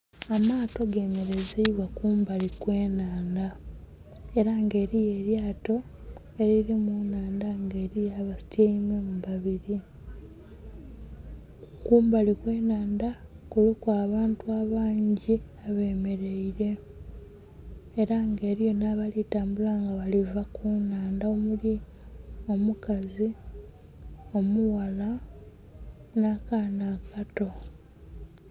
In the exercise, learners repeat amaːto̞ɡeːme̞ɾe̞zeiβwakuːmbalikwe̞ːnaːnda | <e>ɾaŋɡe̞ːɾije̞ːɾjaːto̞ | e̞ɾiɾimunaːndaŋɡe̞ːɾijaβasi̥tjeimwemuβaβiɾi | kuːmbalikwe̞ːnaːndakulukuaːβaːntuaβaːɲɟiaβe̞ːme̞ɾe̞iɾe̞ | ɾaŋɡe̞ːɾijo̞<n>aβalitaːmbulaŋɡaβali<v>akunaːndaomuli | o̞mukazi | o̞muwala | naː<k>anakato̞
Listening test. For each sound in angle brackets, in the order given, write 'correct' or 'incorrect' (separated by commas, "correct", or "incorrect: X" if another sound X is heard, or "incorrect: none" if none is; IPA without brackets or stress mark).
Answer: correct, correct, correct, correct